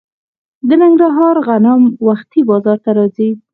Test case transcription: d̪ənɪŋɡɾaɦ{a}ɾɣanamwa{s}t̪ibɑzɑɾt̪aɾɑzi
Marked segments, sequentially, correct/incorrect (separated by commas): incorrect, incorrect